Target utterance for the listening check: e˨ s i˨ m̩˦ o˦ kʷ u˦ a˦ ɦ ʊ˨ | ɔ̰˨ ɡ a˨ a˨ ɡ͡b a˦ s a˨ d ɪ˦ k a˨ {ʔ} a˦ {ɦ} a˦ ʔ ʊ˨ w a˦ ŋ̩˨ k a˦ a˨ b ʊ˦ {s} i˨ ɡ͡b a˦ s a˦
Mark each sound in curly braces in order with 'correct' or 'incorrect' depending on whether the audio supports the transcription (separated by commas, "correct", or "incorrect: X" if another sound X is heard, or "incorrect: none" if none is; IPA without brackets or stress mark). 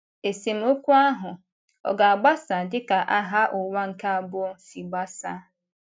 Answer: correct, correct, correct